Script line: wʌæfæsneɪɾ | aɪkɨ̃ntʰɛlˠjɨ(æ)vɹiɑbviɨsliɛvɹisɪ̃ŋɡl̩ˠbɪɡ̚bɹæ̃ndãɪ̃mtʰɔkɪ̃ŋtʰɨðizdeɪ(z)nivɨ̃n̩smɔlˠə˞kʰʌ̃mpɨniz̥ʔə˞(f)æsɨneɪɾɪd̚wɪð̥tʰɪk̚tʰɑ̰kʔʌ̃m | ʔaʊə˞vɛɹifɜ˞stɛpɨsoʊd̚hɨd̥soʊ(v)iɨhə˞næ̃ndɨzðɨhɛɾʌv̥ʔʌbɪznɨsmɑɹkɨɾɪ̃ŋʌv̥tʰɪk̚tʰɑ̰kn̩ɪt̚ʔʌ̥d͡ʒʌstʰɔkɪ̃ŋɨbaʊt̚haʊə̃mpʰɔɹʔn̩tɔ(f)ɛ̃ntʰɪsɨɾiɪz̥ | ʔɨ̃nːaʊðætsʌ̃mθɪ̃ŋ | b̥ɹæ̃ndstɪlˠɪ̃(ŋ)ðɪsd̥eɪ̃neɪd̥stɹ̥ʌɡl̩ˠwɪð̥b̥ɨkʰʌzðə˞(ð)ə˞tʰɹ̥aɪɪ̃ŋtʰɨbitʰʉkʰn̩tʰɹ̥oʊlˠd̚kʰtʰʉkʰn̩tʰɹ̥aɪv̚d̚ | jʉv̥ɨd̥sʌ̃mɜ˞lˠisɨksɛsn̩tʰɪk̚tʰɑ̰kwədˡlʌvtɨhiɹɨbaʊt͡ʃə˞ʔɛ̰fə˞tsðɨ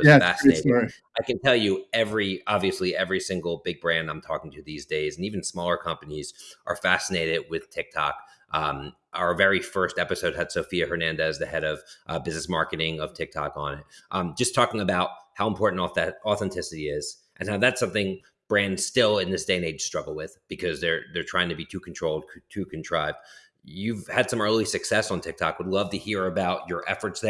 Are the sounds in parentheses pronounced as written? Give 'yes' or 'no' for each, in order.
no, yes, yes, no, no, no, yes

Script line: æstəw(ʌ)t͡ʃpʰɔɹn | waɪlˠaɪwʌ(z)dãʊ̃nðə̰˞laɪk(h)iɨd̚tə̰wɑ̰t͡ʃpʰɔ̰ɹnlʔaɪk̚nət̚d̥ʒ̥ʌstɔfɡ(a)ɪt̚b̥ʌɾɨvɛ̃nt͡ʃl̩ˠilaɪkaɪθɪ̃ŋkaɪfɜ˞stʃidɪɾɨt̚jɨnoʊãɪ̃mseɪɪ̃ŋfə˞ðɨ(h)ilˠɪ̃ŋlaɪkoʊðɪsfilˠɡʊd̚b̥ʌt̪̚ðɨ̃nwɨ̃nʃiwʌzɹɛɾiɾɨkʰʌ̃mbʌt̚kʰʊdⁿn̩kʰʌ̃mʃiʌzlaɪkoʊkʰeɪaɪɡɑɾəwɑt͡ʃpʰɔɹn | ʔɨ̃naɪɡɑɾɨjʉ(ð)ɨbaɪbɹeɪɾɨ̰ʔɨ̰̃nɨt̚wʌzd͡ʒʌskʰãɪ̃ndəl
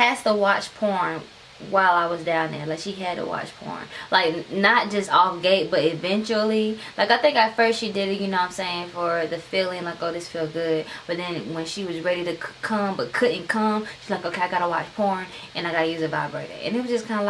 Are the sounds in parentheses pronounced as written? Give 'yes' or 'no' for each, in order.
no, yes, no, no, no, no

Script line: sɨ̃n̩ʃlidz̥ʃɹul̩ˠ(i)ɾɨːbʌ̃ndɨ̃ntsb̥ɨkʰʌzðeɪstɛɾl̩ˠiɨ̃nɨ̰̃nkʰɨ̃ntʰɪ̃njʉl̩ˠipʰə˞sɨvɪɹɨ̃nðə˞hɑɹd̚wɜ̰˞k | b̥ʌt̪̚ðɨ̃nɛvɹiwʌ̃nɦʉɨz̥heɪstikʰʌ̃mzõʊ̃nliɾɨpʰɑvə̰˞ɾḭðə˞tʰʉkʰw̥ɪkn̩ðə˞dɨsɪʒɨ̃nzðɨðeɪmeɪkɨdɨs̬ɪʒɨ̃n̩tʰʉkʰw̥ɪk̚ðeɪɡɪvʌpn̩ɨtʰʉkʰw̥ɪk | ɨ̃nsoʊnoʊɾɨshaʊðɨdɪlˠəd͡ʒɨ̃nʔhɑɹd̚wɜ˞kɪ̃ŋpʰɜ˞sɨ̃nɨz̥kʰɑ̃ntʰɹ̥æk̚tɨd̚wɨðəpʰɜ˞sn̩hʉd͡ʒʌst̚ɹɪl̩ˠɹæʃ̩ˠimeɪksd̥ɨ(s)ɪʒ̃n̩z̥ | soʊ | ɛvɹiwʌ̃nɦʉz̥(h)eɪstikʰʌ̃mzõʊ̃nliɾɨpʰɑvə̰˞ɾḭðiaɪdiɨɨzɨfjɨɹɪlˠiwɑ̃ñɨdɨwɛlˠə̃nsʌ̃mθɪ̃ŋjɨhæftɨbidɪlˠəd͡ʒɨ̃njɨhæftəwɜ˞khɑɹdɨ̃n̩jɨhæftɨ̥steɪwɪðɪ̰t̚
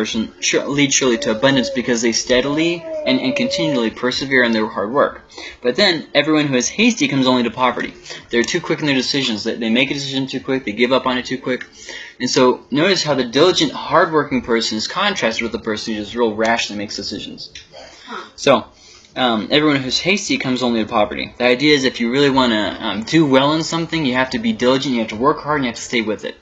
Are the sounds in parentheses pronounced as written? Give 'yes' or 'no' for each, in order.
yes, yes, yes

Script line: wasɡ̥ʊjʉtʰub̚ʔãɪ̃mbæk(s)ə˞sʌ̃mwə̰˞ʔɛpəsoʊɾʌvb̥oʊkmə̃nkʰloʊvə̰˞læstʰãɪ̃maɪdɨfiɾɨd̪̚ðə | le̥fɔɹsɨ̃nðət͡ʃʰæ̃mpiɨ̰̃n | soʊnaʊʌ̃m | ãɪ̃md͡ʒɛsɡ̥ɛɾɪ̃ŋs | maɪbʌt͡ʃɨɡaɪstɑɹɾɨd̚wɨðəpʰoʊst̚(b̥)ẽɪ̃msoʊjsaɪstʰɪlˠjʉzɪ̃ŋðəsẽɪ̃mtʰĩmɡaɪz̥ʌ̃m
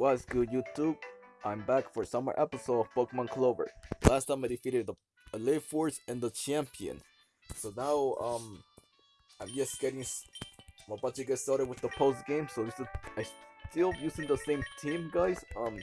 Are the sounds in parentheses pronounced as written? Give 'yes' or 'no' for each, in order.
no, no

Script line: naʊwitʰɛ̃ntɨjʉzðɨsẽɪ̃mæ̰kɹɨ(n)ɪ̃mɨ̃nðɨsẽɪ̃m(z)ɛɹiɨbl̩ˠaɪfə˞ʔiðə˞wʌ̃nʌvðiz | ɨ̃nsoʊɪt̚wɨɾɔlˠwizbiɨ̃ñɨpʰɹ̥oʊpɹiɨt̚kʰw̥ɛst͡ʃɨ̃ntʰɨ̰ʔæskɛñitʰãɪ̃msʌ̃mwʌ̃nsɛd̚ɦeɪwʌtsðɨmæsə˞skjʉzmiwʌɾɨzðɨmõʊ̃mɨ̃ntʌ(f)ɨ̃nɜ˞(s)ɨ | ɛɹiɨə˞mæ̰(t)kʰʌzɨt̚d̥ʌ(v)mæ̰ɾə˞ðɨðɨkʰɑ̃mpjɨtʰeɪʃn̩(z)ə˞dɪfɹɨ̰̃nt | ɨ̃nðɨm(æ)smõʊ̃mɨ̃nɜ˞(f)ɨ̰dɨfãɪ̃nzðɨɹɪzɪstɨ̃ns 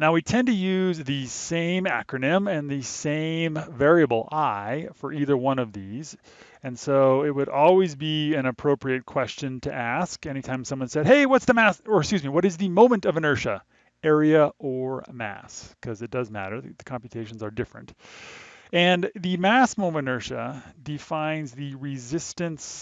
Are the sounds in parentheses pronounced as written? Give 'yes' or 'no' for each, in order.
yes, no, no, no, no, no, yes, yes, no

